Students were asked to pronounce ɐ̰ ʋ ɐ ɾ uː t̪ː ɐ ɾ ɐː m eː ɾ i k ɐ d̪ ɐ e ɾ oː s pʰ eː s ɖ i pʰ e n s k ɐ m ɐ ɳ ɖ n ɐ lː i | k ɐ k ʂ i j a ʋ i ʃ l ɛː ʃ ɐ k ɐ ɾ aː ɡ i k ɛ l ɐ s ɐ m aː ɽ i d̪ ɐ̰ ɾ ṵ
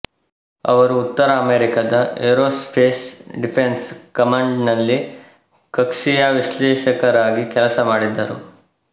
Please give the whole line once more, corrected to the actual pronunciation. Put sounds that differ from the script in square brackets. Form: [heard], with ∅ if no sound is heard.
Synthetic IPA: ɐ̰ ʋ ɐ ɾ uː t̪ː ɐ ɾ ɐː m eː ɾ i k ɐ d̪ ɐ e ɾ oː s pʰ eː s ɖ i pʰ e n s k ɐ m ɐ ɳ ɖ n ɐ lː i | k ɐ k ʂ i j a ʋ i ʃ l ɛː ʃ ɐ k ɐ ɾ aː ɡ i k ɛ l ɐ s ɐ m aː ɽ i [d̪ː] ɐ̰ ɾ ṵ